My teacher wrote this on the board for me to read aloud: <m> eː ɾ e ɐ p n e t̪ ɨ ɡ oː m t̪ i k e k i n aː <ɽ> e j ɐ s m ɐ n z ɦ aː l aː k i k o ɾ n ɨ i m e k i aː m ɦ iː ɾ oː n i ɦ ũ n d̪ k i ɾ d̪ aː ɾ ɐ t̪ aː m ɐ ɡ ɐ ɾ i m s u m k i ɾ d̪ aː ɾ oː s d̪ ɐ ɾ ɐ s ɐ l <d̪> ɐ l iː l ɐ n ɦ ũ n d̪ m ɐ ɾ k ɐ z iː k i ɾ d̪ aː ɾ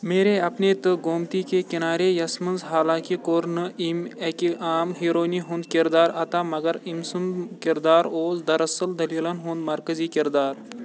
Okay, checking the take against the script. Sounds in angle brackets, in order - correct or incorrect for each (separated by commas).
correct, incorrect, correct